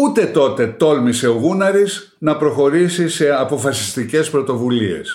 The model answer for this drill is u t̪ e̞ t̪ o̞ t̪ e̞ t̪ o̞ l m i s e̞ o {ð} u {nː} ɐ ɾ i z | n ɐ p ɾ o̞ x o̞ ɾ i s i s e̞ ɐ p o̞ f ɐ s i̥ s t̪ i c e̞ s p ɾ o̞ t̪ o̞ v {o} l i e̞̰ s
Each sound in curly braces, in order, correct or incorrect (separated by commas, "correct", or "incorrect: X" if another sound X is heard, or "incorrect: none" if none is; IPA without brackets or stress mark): incorrect: ɣ, incorrect: n, incorrect: u